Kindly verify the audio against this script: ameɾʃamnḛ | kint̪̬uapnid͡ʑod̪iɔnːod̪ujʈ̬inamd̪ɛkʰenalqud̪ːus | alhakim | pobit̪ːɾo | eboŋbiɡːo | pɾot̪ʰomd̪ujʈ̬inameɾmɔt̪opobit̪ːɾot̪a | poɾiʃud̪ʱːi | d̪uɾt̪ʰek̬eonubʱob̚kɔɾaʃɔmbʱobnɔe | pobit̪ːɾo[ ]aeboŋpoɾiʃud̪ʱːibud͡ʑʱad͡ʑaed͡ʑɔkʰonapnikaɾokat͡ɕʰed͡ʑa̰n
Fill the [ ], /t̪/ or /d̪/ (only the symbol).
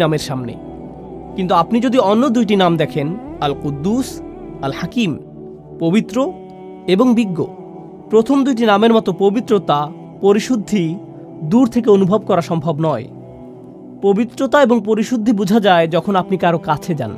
t̪